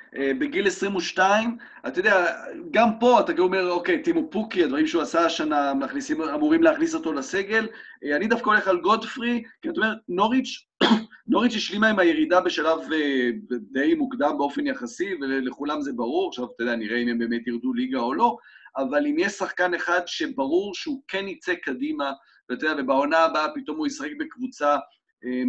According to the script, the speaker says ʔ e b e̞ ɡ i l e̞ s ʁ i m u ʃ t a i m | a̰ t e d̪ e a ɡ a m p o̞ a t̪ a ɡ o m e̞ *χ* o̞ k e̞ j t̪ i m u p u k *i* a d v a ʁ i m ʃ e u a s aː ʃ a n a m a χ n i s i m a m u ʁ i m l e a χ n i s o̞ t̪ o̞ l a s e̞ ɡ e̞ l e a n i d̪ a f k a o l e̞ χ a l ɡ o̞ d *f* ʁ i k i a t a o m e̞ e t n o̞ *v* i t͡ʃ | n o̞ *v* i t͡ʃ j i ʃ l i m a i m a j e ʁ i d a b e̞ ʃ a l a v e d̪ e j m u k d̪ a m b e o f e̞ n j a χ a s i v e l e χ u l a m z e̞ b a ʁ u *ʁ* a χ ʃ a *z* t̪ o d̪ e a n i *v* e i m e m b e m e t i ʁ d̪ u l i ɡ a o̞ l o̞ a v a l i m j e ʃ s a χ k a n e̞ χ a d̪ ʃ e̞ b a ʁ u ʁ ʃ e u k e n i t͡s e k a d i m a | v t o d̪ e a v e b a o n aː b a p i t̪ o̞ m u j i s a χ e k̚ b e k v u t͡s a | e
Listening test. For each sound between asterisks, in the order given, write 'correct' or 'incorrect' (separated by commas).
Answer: incorrect, correct, correct, incorrect, incorrect, correct, incorrect, incorrect